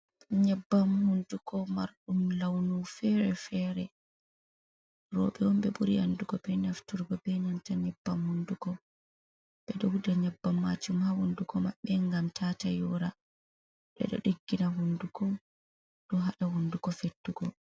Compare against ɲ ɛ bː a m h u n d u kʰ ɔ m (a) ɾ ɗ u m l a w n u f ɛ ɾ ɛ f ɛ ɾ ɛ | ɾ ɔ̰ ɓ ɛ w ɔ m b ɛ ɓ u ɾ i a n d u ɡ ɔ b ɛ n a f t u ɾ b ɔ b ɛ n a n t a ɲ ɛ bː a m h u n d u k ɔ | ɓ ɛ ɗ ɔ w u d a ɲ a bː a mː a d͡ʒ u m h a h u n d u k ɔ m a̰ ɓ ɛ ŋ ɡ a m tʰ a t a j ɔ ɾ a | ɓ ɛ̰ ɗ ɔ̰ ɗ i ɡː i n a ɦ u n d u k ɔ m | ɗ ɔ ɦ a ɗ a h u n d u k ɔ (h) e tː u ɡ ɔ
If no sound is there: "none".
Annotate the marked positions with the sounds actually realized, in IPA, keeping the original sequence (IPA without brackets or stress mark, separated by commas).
a, f